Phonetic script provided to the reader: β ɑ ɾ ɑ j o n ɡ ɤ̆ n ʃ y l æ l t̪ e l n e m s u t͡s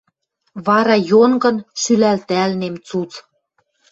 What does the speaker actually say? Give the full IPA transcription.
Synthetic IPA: β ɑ ɾ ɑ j o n ɡ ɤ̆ n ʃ y l æ l t̪ æ l n e m t͡s u t͡s